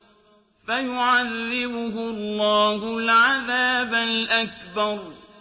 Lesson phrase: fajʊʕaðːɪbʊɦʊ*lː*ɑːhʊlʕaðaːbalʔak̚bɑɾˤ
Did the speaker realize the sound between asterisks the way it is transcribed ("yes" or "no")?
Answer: yes